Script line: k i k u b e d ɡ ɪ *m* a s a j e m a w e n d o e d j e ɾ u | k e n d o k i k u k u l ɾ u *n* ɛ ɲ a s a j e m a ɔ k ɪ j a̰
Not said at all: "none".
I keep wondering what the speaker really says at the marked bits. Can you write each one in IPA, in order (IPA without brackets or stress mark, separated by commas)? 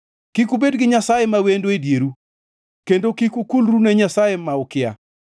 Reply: ɲ, n